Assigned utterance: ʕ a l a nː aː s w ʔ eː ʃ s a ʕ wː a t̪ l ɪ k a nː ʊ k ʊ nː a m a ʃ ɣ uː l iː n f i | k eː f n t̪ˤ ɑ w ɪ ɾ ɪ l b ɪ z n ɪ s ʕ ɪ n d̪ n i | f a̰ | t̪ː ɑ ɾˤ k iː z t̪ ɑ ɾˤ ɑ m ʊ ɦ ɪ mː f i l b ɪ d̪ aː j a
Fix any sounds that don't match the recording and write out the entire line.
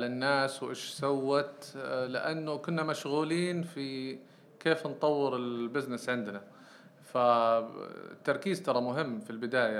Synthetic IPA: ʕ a l a nː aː s w ʔ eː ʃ s a wː a t̪ l ɪ ʔ a nː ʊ k ʊ nː a m a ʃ ɣ uː l iː n f i | k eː f n t̪ˤ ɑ wː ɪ ɾ ɪ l b ɪ z n ɪ s ʕ ɪ n d̪ n a | f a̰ | t̪ː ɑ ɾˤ k iː z t̪ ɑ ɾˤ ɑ m ʊ ɦ ɪ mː f i l b ɪ d̪ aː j a